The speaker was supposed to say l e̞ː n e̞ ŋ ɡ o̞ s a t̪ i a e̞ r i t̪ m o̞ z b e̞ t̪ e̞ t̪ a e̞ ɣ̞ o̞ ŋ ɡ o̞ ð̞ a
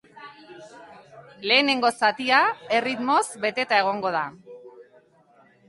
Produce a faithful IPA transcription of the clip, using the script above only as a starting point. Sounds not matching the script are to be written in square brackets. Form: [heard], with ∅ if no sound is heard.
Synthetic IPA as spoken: l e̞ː n e̞ ŋ ɡ o̞ s a t̪ i a e̞ r i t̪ m o̞ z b e̞ t̪ e̞ t̪ a e̞ ɣ̞ o̞ ŋ ɡ o̞ ð̞ a